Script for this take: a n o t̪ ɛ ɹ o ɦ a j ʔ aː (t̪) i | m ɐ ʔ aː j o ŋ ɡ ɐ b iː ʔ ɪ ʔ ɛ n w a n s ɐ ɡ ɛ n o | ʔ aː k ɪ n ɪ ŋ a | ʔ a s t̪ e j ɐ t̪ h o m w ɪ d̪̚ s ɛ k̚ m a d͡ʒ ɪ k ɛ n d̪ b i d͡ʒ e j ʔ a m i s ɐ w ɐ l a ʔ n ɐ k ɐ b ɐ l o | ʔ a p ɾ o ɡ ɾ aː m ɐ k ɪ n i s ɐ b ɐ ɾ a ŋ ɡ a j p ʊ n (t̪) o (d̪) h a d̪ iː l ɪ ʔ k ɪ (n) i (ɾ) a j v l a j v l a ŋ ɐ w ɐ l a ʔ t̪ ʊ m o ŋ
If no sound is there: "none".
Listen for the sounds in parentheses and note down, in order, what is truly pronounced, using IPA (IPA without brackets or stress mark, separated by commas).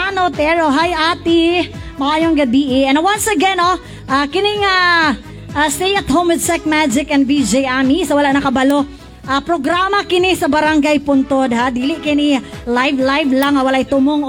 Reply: t̪, t̪, d̪, n, l